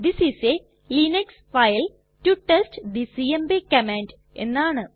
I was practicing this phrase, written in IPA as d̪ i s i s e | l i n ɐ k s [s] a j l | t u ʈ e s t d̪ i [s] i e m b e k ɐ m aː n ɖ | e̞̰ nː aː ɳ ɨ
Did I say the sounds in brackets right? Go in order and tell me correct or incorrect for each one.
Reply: incorrect: f, correct

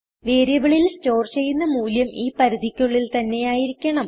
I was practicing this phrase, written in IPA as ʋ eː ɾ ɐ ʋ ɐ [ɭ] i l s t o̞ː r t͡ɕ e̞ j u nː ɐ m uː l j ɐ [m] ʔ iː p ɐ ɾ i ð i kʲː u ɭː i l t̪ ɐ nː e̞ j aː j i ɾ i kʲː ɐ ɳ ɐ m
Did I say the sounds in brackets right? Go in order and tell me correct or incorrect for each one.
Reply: correct, correct

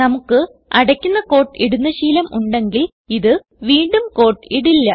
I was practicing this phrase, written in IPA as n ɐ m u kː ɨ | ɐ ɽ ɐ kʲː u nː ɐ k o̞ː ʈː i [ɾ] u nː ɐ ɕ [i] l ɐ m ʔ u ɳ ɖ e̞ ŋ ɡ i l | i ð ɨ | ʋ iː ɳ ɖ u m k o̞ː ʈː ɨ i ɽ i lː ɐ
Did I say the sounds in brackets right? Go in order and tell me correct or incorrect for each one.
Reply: incorrect: ɽ, incorrect: iː

